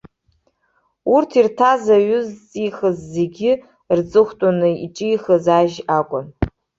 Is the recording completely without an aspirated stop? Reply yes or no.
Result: no